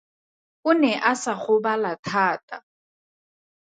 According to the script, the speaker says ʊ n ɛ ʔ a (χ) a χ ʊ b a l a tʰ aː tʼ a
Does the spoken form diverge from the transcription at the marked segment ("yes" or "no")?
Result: yes